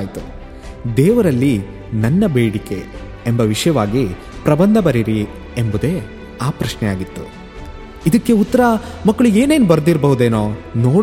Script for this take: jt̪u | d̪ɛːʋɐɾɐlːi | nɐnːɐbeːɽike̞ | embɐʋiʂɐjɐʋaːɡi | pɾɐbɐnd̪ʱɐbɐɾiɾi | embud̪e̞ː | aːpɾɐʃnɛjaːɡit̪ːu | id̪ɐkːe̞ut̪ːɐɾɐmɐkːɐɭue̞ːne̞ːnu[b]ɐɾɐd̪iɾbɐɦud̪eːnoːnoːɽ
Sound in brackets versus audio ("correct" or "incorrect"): correct